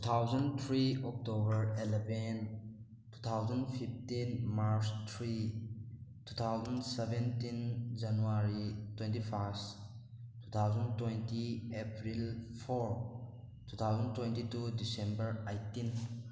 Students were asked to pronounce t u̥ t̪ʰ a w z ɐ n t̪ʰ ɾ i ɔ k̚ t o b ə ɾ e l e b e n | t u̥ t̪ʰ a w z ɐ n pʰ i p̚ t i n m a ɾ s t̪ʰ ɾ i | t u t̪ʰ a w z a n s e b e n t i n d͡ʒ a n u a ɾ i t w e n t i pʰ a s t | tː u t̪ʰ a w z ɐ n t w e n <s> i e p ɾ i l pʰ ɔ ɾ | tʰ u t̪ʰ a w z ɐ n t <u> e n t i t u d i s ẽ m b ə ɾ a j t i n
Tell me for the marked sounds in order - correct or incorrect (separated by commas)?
incorrect, incorrect